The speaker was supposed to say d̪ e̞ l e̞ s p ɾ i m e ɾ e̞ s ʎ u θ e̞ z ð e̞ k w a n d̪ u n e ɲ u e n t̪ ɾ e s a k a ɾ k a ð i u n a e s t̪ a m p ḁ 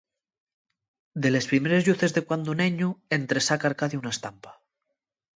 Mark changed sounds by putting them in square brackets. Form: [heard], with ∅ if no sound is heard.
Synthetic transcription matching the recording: d̪ e̞ l e̞ s p ɾ i m e ɾ e̞ [z] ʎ u θ e̞ z ð e̞ k w a n d̪ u n e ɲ u e n t̪ ɾ e s a k a ɾ k a ð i u n a e s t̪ a m p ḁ